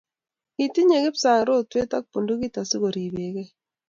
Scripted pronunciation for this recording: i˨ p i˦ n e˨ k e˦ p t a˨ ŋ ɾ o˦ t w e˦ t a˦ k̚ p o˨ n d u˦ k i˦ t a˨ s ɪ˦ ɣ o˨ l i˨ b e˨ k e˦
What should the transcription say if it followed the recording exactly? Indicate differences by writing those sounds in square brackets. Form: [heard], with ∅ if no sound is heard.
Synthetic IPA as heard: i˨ [t] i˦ [ɲ] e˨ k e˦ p [s] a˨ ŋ ɾ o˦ t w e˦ t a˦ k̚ p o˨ n d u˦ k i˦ t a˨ s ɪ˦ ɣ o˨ [ɾ] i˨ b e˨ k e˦